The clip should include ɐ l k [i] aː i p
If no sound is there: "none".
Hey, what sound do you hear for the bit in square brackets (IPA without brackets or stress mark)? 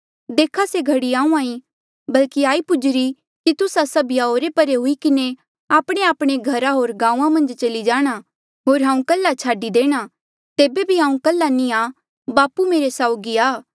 i